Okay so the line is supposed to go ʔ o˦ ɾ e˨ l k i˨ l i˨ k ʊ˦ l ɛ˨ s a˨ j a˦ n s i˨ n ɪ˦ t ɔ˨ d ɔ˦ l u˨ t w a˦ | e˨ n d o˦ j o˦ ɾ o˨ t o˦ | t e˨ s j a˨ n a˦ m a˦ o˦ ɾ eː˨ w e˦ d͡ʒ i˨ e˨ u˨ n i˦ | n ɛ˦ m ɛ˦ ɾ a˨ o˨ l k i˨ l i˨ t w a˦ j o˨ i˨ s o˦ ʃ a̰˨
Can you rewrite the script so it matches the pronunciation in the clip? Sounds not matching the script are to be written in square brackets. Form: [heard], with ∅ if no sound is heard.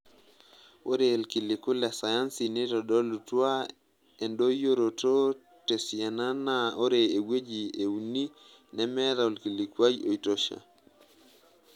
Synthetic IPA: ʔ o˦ ɾ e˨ l k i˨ l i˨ k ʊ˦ l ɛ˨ s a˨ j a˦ n s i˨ n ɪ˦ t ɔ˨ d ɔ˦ l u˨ t w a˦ | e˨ n d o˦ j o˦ ɾ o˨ t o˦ | t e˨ s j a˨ n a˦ [n] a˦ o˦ ɾ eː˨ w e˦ d͡ʒ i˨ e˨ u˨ n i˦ | n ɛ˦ m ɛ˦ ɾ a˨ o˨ l k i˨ l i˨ [k] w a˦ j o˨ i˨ [t] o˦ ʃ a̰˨

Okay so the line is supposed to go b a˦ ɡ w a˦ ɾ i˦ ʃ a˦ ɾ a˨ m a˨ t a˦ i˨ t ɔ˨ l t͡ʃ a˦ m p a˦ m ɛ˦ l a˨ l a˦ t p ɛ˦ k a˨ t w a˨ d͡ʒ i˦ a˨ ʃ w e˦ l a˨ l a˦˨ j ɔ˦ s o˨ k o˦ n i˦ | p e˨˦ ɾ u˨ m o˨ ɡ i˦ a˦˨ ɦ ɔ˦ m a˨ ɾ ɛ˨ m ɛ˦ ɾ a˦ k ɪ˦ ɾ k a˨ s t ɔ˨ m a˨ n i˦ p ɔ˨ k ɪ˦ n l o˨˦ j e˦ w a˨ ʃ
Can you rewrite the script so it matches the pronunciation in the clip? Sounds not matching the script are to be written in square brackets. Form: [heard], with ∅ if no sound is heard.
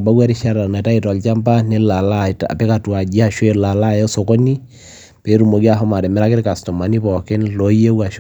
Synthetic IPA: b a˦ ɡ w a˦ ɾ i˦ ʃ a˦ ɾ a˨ [n] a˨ t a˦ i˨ t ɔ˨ l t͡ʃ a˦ m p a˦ [n] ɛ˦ l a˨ l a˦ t p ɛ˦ k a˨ t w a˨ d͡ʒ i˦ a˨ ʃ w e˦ l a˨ l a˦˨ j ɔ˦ s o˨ k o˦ n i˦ | p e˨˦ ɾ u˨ m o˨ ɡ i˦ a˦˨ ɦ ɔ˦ m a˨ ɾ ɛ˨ m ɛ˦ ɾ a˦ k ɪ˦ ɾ k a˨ s t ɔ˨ m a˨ n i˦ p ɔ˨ k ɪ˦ n l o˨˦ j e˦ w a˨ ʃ

